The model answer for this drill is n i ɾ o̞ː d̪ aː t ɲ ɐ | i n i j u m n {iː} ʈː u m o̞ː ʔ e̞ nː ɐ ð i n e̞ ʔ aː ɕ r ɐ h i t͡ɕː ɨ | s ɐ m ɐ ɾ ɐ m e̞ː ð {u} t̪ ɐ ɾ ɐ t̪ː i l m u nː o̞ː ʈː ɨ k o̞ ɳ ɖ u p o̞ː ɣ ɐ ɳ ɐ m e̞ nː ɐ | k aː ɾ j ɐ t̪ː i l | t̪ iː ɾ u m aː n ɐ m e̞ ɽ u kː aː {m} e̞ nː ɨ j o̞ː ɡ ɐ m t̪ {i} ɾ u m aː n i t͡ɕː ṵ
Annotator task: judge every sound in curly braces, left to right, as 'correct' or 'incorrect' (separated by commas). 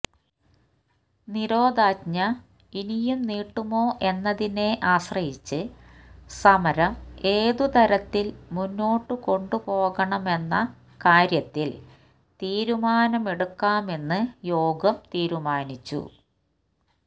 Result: correct, correct, correct, incorrect